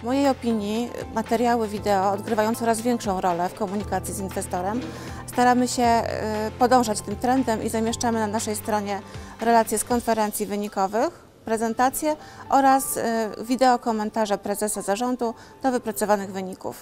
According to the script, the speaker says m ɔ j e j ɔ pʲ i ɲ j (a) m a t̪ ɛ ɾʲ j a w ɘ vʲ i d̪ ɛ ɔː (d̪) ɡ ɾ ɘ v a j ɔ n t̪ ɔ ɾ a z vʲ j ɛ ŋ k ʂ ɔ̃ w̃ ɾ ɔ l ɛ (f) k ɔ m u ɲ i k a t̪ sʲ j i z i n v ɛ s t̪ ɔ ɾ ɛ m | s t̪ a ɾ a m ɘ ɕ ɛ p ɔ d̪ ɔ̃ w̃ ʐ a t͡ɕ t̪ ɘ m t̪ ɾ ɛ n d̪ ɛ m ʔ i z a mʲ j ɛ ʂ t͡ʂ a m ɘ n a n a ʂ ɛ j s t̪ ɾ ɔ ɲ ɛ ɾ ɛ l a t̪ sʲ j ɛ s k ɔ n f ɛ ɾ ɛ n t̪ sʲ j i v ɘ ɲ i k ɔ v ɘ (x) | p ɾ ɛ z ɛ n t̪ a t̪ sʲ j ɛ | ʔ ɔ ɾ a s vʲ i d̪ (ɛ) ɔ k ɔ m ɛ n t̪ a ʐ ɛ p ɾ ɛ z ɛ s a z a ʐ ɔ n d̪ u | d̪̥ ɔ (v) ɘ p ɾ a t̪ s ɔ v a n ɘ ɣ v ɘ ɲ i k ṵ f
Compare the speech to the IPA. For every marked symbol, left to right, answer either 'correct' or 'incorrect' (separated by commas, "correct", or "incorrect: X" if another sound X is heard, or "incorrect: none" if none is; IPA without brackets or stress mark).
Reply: incorrect: i, correct, correct, correct, correct, correct